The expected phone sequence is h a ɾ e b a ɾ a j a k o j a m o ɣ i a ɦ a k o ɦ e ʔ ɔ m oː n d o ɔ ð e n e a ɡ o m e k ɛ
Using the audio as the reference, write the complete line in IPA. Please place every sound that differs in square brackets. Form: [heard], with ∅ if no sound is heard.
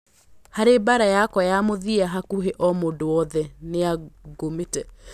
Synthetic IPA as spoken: h a ɾ e b a ɾ a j a k [ɔ] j a m o [ð] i a ɦ a k [u] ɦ e ʔ ɔ m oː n d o ɔ ð [ɛ] n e a ɡ o m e [t] ɛ